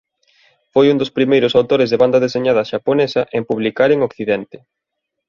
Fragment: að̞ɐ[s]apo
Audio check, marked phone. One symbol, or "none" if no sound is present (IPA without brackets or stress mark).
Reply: ʃ